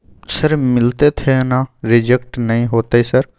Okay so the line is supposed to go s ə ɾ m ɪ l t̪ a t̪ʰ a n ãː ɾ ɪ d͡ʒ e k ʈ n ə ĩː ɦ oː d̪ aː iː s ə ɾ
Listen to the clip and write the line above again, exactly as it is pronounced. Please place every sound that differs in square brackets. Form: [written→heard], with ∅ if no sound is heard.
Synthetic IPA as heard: s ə ɾ m ɪ l t̪ [a→e] t̪ʰ [a→e] n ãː ɾ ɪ d͡ʒ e k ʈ n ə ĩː ɦ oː [d̪→t̪] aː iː s ə ɾ